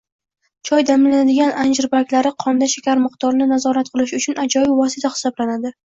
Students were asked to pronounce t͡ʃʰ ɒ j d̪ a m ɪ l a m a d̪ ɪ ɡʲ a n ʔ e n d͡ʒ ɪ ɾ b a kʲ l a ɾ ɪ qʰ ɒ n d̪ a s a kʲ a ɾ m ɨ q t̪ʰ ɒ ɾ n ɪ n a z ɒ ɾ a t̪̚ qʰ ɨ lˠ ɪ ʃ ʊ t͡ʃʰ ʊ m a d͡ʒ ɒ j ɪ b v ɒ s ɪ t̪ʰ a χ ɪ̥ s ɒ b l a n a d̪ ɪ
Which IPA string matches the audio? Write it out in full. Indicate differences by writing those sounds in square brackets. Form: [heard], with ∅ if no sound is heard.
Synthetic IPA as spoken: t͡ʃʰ ɒ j d̪ a m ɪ l a [n] a d̪ ɪ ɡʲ a n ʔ [a] n d͡ʒ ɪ ɾ b a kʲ l a ɾ ɪ qʰ ɒ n d̪ a [ʃ] a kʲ a ɾ m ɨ q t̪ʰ ɒ ɾ n ɪ n a z ɒ ɾ a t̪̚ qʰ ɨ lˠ ɪ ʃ ʊ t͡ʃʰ ʊ [n] a d͡ʒ ɒ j ɪ b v ɒ s ɪ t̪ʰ a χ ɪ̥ s ɒ b l a n a d̪ ɪ